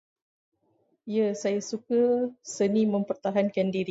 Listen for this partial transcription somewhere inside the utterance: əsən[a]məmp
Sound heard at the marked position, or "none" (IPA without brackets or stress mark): i